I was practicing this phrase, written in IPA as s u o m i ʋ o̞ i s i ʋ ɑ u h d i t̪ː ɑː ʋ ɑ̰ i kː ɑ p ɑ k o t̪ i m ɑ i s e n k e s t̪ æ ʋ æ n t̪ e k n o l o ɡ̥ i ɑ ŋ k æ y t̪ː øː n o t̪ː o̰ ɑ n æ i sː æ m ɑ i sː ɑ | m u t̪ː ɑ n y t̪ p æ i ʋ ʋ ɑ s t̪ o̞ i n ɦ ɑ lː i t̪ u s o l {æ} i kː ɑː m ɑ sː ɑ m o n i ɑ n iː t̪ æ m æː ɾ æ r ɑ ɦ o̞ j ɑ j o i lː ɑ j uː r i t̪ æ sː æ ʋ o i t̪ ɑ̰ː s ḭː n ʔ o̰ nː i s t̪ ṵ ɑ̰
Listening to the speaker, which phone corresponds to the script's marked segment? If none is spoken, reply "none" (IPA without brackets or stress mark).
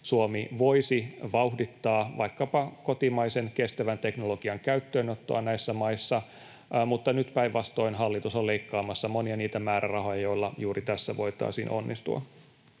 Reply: e